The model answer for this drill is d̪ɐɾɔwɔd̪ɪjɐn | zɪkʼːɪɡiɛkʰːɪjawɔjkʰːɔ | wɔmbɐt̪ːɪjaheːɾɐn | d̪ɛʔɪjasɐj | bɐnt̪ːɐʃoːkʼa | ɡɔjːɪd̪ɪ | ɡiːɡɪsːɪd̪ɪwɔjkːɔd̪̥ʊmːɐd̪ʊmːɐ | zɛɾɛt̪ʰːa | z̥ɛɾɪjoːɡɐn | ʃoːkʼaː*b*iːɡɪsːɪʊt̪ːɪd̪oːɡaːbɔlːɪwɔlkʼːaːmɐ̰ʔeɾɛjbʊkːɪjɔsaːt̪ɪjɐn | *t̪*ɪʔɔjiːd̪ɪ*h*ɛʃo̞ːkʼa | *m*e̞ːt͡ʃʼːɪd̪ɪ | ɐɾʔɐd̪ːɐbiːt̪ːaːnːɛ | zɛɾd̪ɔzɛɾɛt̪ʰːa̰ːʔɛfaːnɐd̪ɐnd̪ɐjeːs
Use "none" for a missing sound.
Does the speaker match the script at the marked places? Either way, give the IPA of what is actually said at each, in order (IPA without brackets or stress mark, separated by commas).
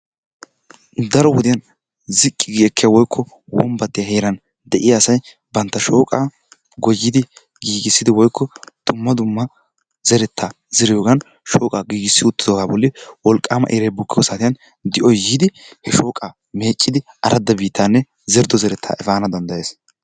ɡ, d̪, h, m